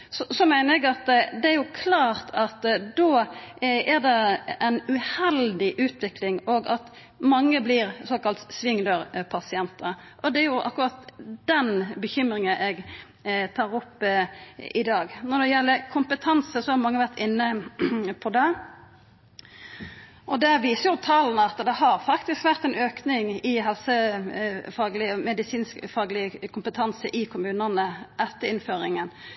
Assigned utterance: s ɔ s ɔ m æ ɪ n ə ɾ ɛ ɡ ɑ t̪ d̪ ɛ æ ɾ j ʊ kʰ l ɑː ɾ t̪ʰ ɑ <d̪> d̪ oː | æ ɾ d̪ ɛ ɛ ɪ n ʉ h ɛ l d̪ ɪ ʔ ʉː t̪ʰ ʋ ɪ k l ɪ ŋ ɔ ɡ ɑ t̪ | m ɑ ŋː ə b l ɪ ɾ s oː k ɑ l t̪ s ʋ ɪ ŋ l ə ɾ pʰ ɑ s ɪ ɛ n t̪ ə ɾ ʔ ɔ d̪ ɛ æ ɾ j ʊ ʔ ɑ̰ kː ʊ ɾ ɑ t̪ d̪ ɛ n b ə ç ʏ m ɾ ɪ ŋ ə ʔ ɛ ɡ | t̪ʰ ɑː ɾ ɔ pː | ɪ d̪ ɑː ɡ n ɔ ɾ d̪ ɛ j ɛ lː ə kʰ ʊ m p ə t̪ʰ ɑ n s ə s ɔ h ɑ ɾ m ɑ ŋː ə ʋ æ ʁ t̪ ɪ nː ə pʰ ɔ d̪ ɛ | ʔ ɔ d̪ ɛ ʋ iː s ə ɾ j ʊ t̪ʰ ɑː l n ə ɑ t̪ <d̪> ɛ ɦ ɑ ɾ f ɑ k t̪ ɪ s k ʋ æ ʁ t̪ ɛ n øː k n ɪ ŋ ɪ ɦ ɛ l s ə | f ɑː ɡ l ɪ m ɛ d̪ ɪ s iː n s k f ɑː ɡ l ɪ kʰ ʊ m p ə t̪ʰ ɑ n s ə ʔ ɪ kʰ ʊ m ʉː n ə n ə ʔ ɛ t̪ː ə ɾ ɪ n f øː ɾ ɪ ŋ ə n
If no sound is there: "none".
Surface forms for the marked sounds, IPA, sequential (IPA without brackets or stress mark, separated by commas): t̪, d̪